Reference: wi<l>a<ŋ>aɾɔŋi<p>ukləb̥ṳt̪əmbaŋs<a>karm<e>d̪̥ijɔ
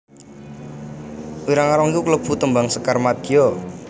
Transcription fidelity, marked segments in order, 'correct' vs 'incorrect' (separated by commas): incorrect, correct, incorrect, incorrect, incorrect